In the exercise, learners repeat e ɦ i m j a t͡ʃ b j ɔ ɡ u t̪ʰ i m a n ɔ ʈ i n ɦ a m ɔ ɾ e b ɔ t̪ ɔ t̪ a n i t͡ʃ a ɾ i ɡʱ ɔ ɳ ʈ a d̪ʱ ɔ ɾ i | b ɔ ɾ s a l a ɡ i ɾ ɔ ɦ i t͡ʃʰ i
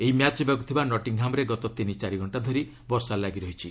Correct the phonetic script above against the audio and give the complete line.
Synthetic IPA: e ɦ i m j a t͡ʃ b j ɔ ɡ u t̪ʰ i b a n ɔ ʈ i ŋ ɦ a m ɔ ɾ e ɡ ɔ t̪ ɔ t̪ i n i t͡ʃ a ɾ i ɡʱ ɔ ɳ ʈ a d̪ʱ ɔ ɾ i | b ɔ ɾ s a l a ɡ i ɾ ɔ ɦ i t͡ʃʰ i